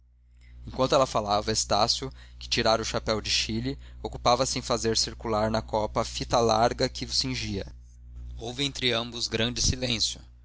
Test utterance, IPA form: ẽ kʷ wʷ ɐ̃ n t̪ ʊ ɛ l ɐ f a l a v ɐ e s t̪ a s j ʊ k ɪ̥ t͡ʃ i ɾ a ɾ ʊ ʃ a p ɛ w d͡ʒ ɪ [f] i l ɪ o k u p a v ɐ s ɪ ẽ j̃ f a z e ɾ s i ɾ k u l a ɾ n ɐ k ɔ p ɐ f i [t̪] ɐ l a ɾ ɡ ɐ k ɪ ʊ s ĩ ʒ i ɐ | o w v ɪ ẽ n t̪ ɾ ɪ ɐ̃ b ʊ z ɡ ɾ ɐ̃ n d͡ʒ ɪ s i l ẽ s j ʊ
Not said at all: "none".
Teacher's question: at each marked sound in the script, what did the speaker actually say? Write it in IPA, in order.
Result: ʃ, t̪

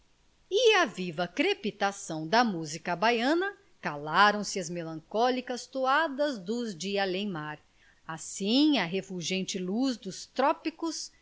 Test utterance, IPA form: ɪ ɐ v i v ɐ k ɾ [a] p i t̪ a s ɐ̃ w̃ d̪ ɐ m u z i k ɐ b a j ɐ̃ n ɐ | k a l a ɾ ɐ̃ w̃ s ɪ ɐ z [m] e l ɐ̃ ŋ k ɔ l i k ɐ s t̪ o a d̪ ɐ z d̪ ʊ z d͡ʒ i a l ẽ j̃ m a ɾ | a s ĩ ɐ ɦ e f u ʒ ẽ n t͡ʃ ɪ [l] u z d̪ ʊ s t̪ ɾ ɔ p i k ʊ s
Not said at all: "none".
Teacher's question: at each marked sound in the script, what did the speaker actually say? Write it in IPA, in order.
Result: e, m, l

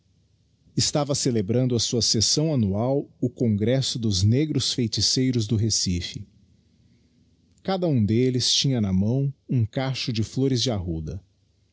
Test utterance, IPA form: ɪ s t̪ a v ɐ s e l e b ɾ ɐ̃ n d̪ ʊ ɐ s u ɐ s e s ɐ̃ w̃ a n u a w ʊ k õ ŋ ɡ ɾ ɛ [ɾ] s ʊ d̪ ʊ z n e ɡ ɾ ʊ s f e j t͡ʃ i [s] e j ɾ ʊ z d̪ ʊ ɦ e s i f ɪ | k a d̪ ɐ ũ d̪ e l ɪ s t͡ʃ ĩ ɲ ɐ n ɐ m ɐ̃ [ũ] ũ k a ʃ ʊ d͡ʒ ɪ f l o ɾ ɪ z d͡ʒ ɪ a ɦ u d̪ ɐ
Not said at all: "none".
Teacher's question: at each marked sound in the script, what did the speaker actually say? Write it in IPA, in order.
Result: none, s, w̃

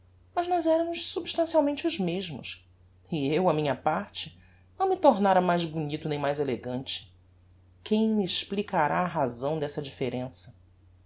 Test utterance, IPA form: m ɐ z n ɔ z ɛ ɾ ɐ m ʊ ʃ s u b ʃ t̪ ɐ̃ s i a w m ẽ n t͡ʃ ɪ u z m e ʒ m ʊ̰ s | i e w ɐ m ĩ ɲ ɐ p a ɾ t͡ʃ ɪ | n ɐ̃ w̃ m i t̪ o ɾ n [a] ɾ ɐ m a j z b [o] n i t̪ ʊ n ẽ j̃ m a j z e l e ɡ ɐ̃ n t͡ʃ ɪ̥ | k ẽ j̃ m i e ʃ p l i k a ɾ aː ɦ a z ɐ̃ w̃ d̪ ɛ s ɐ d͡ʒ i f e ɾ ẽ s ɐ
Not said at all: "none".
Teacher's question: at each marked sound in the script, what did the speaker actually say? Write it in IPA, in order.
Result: a, u

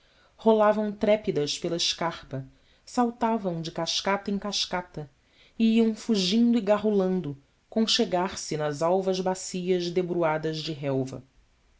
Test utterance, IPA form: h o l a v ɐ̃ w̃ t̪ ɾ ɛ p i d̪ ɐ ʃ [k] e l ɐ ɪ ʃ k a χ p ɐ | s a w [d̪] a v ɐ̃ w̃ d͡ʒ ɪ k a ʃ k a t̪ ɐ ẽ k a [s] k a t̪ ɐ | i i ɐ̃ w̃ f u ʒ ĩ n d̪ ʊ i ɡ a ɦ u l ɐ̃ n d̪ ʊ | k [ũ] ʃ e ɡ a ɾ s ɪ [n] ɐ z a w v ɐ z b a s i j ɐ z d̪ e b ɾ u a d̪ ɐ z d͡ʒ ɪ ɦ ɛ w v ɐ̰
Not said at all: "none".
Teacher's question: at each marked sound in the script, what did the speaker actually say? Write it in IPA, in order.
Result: p, t̪, ʃ, õ, n

